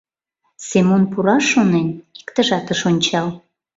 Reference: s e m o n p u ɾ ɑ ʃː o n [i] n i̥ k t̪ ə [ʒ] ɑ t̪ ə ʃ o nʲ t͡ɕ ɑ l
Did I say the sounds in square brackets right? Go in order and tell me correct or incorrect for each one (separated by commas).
incorrect, correct